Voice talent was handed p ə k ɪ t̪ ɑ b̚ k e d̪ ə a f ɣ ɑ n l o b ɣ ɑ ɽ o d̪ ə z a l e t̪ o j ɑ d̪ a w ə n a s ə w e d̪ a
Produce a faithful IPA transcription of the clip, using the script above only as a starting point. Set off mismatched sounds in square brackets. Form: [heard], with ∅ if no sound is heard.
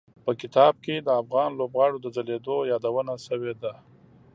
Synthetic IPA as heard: p ə k ɪ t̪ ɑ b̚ k e d̪ ə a f ɣ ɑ n l o b ɣ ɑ ɽ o d̪ ə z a l e [d̪] o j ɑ d̪ a w ə n a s ə w e d̪ a

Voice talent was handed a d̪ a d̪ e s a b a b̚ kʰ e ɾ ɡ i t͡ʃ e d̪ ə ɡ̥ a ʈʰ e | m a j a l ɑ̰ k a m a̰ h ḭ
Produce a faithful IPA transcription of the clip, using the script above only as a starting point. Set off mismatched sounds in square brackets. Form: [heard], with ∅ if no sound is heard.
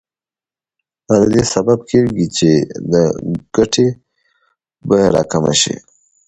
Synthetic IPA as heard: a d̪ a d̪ e s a b a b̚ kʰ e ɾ ɡ i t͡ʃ e d̪ ə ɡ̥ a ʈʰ e | [b] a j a [ɾ] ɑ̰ k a m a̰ [ʃ] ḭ

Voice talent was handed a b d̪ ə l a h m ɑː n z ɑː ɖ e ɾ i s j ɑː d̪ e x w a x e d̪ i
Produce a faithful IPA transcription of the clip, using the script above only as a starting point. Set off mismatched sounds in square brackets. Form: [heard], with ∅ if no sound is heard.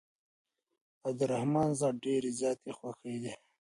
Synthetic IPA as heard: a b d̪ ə [ɾ] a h m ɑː n z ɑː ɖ e ɾ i [z] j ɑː [t̪] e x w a x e d̪ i

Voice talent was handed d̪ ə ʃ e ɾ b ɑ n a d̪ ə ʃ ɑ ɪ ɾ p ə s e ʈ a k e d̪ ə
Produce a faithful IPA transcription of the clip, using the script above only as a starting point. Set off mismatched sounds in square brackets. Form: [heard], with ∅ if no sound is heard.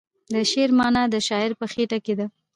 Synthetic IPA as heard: d̪ ə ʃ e ɾ [m] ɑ n a d̪ ə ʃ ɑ ɪ ɾ p ə [x] e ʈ a k e d̪ [a]

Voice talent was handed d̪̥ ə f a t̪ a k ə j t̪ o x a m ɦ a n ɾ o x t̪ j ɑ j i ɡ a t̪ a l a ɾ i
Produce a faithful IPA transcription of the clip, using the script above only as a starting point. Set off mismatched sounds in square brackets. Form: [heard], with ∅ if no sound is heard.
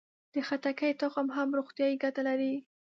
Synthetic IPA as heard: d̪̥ ə [x] a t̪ a k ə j t̪ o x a m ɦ a [m] ɾ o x t̪ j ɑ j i ɡ a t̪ a l a ɾ i

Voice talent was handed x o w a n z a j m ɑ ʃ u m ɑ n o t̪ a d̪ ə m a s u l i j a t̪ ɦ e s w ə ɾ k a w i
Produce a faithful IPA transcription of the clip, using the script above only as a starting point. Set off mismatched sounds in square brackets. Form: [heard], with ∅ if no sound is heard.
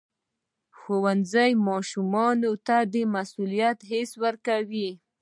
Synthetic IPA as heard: x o w a n z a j m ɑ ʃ u m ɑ n o t̪ a d̪ ə m a s u l i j a t̪ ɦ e s w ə ɾ k a w i

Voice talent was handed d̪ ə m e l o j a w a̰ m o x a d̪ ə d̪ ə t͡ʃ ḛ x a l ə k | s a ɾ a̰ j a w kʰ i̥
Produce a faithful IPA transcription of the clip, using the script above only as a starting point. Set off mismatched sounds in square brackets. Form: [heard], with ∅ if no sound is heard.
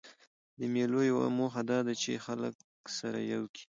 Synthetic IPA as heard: d̪ ə m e l o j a w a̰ m o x a d̪ [ɑ] d̪ [a] t͡ʃ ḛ x a l ə k | s a ɾ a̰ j a w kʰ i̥

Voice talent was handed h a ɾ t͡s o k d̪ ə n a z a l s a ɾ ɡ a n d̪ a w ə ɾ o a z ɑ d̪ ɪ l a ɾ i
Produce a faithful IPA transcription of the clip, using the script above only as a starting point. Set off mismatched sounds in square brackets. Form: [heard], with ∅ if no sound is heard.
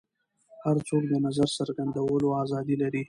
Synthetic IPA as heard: h a ɾ t͡s o k d̪ ə n a z a [ɾ] s a ɾ ɡ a n d̪ a w ə [l] o a z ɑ d̪ [i] l a ɾ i

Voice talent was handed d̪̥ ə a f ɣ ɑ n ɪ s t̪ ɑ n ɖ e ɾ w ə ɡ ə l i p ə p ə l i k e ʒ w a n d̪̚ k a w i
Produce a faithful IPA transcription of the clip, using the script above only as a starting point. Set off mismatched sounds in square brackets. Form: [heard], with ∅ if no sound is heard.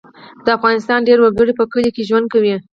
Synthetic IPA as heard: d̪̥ ə a f ɣ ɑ n ɪ s t̪ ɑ n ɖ e ɾ w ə ɡ ə [ɽ] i p ə [k] ə l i k e ʒ w a n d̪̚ k a w i

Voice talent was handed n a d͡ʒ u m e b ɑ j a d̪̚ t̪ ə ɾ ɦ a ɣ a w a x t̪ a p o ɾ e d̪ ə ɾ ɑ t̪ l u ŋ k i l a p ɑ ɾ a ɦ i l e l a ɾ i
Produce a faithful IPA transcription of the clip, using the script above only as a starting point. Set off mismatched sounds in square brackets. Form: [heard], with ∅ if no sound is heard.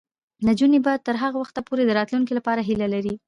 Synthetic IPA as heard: n a d͡ʒ u [n] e b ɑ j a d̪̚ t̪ ə ɾ ɦ a ɣ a w a x t̪ a p o ɾ e d̪ ə ɾ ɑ t̪ l u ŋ k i l a p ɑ ɾ a ɦ i l [a] l a ɾ i

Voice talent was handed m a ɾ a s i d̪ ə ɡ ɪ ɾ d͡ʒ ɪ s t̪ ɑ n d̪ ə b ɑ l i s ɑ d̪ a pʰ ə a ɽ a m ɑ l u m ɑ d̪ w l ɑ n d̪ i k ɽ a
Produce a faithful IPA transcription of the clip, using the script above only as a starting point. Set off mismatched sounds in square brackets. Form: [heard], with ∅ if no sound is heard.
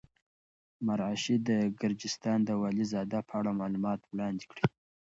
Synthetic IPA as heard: m a ɾ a [ʃ] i d̪ ə ɡ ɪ ɾ d͡ʒ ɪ s t̪ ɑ n d̪ ə [w] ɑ l i [z] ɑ d̪ a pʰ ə a ɽ a m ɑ l u m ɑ [t̪] w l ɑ n d̪ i k ɽ [i]

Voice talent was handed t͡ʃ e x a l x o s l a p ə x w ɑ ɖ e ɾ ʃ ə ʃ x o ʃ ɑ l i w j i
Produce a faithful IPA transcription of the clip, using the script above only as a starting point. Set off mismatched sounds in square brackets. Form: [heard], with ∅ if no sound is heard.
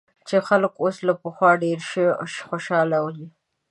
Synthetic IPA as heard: t͡ʃ e x a l [k] o s l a p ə x w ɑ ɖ e ɾ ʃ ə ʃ x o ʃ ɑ l [a] w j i

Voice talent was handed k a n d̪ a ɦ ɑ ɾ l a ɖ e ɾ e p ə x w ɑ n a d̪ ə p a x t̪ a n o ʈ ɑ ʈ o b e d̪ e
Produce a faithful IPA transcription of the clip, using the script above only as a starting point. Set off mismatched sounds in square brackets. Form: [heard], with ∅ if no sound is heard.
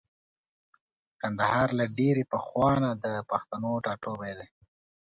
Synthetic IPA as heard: k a n d̪ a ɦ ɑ ɾ l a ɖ e ɾ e p ə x w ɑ n a d̪ ə p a x t̪ a n o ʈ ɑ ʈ o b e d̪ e

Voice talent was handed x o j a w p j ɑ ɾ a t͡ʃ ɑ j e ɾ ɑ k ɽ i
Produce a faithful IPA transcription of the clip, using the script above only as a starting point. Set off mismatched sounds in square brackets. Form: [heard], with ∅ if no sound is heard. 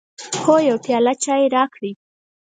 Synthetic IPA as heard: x o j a w p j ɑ [l] a t͡ʃ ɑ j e ɾ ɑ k ɽ i

